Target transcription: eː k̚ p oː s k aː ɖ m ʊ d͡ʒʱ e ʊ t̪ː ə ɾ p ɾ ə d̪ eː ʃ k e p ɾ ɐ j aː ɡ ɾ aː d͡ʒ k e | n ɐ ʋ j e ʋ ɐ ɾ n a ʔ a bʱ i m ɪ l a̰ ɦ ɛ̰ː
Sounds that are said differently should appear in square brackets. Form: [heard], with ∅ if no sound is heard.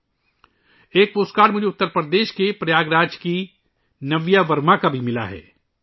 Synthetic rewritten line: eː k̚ p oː s k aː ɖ m ʊ d͡ʒʱ e ʊ t̪ː ə ɾ p ɾ ə d̪ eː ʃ k e p ɾ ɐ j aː ɡ ɾ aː d͡ʒ k [i] | n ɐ ʋ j [a] ʋ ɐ ɾ [m] a [k] a bʱ i m ɪ l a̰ ɦ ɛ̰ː